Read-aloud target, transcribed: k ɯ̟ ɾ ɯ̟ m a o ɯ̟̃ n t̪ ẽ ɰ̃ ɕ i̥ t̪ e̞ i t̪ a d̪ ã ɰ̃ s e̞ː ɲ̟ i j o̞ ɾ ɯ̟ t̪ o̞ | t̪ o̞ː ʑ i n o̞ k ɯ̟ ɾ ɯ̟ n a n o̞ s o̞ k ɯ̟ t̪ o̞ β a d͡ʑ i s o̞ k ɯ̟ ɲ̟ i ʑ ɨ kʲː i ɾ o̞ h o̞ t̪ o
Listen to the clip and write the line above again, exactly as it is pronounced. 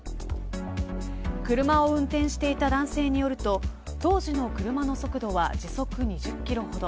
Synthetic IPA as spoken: k ɯ̟ ɾ ɯ̟ m a o ɯ̟̃ n t̪ ẽ ɰ̃ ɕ i̥ t̪ e̞ i t̪ a d̪ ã ɰ̃ s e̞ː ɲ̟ i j o̞ ɾ ɯ̟ t̪ o̞ | t̪ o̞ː ʑ i n o̞ k ɯ̟ ɾ ɯ̟ m a n o̞ s o̞ k ɯ̟ d̪ o̞ β a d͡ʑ i s o̞ k ɯ̟ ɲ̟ i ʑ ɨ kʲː i ɾ o̞ h o̞ d̪ o